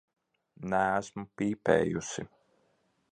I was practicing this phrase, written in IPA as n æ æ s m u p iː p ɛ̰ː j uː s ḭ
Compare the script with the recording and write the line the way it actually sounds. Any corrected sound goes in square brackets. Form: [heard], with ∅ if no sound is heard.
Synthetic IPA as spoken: n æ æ s m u p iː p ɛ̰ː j [u] s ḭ

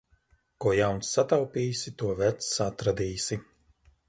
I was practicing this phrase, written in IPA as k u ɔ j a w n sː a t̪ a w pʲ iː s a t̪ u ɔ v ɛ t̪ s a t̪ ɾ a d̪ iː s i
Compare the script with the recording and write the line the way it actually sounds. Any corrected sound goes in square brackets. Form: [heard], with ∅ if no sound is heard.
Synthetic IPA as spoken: k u ɔ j a w n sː a t̪ a w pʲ iː s [i] t̪ u ɔ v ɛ t̪ s a t̪ ɾ a d̪ iː s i

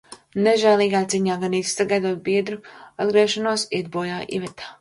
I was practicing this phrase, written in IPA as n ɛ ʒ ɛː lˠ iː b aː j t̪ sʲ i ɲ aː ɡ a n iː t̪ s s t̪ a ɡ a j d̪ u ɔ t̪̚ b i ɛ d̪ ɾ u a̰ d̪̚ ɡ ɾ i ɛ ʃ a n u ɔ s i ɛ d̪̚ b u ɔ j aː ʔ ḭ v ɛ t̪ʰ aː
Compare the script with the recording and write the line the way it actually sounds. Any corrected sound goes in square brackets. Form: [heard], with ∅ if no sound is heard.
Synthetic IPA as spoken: n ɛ ʒ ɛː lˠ iː [ɡ] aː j t̪ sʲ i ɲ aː ɡ a n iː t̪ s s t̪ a ɡ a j d̪ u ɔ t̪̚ b i ɛ d̪ ɾ u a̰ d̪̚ ɡ ɾ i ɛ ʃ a n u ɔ s i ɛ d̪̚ b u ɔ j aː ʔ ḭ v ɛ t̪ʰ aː

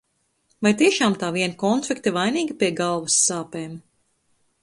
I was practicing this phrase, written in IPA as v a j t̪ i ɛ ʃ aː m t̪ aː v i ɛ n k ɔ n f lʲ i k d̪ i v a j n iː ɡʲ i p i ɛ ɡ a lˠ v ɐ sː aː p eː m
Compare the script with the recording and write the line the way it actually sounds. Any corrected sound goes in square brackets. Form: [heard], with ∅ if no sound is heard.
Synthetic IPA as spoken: v a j t̪ i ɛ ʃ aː m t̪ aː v i ɛ n k ɔ n f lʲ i k [t̪] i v a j n iː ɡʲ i p i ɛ ɡ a lˠ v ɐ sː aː p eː m

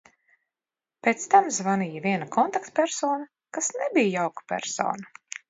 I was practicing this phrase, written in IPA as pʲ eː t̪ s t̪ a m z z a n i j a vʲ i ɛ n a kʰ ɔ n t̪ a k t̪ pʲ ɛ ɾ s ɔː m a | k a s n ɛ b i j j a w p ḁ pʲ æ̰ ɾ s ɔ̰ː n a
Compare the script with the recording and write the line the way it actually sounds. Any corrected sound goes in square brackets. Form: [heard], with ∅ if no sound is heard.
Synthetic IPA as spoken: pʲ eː t̪ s t̪ a m z [v] a n i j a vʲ i ɛ n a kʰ ɔ n t̪ a k t̪ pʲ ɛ ɾ s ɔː [n] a | k a s n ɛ b i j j a w [k] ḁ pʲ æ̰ ɾ s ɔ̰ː n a

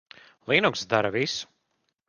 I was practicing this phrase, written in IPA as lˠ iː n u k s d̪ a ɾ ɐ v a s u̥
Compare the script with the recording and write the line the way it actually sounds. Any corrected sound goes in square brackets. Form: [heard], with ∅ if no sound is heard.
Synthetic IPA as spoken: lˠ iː n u k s d̪ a ɾ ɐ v [i] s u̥

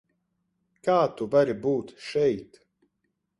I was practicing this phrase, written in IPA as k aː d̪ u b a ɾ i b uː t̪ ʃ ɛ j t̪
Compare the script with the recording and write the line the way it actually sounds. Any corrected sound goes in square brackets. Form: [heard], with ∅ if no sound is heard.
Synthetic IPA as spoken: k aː [t̪] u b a ɾ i b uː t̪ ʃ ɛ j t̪

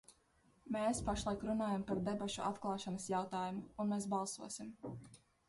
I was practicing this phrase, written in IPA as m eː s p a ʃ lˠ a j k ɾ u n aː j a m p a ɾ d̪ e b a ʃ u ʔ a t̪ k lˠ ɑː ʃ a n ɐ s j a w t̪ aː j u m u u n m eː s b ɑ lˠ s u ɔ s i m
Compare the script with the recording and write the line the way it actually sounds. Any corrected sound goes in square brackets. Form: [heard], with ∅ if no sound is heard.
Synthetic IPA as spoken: m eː s p a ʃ lˠ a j k ɾ u n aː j a m p a ɾ d̪ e b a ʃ u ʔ a t̪ k lˠ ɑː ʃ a n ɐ s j a w t̪ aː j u m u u n m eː s b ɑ lˠ s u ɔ s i m

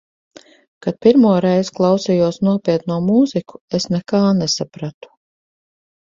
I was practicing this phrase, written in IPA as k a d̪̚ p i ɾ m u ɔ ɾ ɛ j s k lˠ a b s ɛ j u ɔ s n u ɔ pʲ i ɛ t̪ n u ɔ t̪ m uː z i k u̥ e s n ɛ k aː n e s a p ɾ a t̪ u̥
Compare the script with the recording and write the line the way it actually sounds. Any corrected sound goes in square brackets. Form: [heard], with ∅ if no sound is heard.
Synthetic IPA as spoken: k a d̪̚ p i ɾ m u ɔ ɾ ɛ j [z] k lˠ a [w] s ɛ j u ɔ s n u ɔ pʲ i ɛ t̪ n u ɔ [∅] m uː z i k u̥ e s n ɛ k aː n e s a p ɾ a t̪ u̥

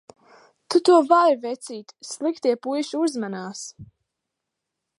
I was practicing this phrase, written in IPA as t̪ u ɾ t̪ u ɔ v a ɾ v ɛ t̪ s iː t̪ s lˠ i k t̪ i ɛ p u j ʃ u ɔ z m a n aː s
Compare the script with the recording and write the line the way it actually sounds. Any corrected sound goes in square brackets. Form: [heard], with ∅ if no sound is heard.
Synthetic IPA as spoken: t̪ u [∅] t̪ u ɔ v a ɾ v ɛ t̪ s iː t̪ s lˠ i k t̪ i ɛ p u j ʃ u [u] z m a n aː s

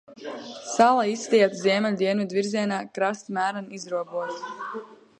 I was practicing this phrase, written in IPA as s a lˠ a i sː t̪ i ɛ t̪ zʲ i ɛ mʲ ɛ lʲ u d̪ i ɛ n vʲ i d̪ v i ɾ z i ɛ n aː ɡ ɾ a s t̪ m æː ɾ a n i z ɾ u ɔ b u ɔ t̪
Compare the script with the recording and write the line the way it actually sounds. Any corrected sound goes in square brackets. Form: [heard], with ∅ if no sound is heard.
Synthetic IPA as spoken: s a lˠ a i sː t̪ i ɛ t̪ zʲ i ɛ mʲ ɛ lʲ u d̪ i ɛ n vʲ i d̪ v i ɾ z i ɛ n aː [k] ɾ a s t̪ m æː ɾ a n i z ɾ u ɔ b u ɔ t̪

